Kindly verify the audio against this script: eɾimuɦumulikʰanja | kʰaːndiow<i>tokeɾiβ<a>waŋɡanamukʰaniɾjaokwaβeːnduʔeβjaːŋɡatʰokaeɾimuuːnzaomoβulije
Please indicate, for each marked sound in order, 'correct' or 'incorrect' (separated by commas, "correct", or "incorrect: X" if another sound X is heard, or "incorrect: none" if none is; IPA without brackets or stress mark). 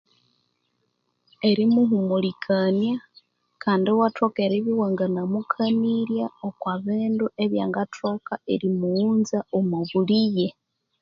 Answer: incorrect: a, incorrect: i